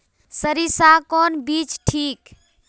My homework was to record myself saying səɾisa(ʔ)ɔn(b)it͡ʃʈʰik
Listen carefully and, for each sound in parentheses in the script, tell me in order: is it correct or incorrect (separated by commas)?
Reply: incorrect, correct